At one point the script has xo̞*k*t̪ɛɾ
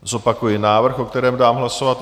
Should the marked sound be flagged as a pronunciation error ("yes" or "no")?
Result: no